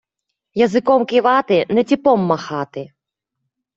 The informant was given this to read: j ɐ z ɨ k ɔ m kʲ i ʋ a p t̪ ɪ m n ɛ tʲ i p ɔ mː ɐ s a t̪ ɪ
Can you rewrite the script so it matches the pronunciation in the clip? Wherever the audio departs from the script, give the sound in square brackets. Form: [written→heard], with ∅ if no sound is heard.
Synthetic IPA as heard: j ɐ z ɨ k ɔ m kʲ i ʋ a [p→∅] t̪ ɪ [m→∅] n ɛ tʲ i p ɔ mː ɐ [s→x] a t̪ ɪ